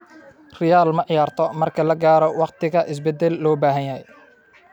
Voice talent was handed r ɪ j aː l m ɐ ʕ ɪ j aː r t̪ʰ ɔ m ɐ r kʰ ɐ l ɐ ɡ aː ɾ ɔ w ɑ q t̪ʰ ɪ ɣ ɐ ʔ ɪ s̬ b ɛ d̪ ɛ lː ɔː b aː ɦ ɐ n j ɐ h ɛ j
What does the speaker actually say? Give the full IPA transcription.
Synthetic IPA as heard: r ɪ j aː l m ɐ ʕ ɪ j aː r t̪ʰ ɔ m ɐ r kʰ ɐ l ɐ ɡ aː ɾ ɔ w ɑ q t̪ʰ ɪ ɣ ɐ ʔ ɪ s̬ b ɛ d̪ ɛ lː ɔː b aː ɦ ɐ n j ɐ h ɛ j